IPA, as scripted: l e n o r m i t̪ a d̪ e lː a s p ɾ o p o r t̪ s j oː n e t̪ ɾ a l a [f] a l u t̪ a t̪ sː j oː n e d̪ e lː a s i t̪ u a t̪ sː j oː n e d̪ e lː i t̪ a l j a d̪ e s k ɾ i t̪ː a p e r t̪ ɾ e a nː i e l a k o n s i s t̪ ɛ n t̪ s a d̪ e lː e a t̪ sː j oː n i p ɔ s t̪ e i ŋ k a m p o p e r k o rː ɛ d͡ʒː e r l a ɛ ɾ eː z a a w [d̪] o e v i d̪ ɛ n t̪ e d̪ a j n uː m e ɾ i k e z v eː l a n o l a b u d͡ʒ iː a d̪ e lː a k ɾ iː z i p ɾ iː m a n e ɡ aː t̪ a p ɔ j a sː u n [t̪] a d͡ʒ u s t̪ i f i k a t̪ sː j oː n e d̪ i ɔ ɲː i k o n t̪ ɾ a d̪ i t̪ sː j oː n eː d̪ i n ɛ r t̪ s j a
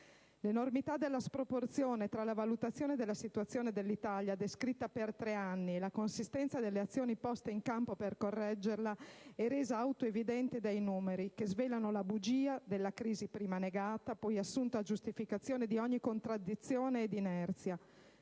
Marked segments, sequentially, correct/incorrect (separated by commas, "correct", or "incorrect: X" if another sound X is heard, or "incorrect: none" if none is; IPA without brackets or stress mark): incorrect: v, incorrect: t̪, correct